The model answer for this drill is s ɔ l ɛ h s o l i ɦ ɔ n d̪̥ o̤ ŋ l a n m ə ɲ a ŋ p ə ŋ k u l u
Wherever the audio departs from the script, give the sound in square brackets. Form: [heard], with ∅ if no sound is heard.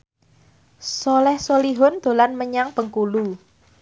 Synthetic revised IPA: s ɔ l ɛ h s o l i ɦ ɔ n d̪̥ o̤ [∅] l a n m ə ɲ a ŋ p ə ŋ k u l u